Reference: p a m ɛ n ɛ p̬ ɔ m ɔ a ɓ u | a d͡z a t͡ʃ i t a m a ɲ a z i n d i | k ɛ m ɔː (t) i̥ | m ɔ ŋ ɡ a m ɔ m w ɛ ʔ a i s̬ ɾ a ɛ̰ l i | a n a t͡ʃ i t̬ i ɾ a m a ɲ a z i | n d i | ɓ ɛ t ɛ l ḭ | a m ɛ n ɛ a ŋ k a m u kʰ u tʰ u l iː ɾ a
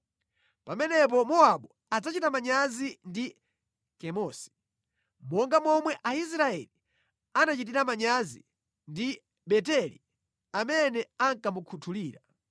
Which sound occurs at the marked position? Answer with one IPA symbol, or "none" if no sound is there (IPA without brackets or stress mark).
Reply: s